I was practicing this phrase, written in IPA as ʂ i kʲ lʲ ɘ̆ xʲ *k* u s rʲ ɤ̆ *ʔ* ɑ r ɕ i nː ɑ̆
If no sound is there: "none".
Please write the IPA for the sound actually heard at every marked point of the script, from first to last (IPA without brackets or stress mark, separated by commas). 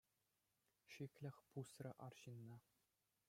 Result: p, ʔ